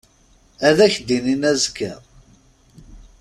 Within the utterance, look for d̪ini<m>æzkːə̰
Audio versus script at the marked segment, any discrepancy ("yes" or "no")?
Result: yes